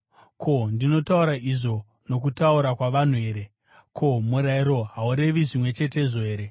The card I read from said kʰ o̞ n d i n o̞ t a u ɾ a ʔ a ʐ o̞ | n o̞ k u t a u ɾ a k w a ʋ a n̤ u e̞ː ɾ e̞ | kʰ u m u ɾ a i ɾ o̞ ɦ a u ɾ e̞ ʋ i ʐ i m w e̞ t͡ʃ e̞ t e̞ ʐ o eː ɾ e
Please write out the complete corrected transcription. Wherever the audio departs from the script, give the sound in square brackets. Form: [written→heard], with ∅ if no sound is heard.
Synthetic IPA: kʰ o̞ n d i n o̞ t a u ɾ a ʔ [a→i] ʐ o̞ | n o̞ k u t a u ɾ a k w a ʋ a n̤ u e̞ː ɾ e̞ | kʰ [u→o] m u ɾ a i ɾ o̞ ɦ a u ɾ e̞ ʋ i ʐ i m w e̞ t͡ʃ e̞ t e̞ ʐ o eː ɾ e